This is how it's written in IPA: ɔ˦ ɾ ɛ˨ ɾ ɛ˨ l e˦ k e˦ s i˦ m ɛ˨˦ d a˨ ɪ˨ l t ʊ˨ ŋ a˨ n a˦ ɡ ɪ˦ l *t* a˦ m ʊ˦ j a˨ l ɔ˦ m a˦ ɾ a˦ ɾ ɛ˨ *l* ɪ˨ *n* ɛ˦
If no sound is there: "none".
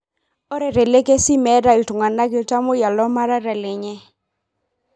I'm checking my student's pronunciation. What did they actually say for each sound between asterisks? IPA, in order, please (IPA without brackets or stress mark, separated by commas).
t, l, ɲ